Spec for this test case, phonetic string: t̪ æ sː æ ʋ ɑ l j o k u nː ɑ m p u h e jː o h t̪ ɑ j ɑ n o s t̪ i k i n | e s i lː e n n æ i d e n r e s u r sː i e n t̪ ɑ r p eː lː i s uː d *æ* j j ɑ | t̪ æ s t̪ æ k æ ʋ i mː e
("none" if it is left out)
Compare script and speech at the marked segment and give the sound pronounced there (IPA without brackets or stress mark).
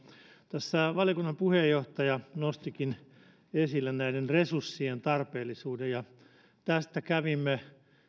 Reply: e